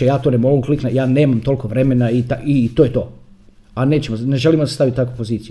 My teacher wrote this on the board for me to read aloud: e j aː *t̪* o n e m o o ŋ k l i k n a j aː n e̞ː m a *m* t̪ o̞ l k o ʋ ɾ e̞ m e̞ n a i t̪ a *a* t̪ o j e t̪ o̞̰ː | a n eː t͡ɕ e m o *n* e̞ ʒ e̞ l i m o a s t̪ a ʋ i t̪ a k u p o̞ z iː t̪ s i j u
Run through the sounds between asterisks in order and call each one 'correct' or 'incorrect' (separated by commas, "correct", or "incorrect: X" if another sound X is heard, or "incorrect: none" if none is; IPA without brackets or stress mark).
correct, correct, incorrect: i, correct